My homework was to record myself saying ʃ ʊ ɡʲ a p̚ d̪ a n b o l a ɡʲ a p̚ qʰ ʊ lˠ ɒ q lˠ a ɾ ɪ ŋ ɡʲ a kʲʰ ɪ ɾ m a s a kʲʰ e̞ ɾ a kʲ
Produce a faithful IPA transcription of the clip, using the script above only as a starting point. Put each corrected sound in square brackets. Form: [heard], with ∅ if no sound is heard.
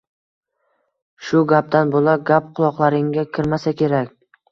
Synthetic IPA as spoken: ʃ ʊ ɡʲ a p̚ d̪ a n b o l a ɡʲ a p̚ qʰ ʊ lˠ ɒ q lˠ a ɾ ɪ ŋ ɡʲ a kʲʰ ɪ ɾ m a s a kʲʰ e̞ ɾ a kʲ